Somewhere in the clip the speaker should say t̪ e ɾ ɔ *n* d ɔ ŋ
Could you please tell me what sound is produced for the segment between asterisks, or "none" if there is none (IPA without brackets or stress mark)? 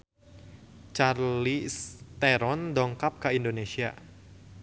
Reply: n